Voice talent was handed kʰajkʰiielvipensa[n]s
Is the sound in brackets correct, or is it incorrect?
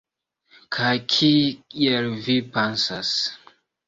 incorrect